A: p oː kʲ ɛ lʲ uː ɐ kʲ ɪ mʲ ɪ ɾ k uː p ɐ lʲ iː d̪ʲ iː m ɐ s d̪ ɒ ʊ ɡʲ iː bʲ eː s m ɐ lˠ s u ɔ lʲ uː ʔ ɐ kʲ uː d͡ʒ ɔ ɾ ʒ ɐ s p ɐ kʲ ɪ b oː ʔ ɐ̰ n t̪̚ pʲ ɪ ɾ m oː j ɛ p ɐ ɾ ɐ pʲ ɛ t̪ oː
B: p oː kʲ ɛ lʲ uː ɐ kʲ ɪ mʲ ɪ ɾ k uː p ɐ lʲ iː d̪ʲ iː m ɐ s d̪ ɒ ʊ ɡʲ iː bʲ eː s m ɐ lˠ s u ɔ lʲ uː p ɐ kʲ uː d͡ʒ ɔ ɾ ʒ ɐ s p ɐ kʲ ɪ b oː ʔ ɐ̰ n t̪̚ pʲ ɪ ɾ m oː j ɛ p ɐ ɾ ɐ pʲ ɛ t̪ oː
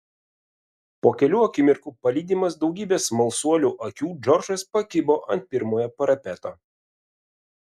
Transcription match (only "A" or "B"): A